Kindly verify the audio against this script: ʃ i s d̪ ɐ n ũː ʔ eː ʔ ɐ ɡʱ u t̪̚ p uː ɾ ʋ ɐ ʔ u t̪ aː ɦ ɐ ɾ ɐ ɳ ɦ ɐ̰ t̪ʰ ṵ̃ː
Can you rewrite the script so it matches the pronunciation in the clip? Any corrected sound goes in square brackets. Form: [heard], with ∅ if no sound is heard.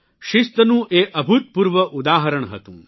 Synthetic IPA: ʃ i s [t̪] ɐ n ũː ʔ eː ʔ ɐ [bʱ] u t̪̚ p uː ɾ ʋ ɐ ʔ u [d̪] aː ɦ ɐ ɾ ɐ ɳ ɦ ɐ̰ [t̪] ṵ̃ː